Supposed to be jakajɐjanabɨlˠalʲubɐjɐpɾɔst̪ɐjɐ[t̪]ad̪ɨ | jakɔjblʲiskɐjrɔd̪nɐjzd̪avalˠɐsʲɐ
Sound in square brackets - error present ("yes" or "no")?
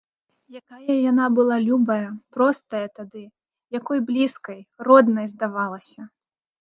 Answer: no